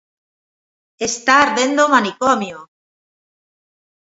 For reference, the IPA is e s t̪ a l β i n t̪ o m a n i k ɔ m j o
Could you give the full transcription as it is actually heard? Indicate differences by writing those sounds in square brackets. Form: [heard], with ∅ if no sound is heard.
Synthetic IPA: e s t̪ a [ɾ] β [e] n [d̪] o m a n i k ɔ m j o